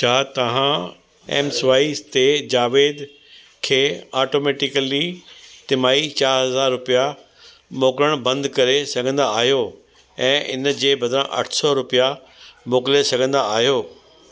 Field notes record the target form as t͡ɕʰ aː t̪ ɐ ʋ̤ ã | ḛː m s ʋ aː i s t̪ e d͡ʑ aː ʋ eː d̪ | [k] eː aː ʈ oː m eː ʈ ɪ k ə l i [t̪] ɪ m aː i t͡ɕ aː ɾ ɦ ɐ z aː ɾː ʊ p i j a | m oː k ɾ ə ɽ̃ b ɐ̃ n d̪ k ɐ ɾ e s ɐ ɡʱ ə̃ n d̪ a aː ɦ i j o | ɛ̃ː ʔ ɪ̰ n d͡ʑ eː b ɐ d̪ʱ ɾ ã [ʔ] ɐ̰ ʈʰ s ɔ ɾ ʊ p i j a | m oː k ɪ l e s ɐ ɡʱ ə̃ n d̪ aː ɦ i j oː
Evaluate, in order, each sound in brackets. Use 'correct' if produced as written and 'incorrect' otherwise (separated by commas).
incorrect, correct, correct